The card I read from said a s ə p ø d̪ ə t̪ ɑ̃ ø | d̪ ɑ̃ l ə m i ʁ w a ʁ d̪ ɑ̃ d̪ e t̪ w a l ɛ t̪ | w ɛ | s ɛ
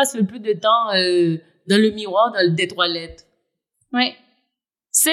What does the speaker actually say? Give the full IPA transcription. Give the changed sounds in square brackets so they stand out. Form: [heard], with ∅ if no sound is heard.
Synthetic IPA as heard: a s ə p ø d̪ ə t̪ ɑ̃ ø | d̪ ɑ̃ l ə m i ʁ w a ʁ d̪ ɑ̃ d̪ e t̪ w a l ɛ t̪ | w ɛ | s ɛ